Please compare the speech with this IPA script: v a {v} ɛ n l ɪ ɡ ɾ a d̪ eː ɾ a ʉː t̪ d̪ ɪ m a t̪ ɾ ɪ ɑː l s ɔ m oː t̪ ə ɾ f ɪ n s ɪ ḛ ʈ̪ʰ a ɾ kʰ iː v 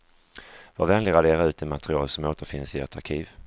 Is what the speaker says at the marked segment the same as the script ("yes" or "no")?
yes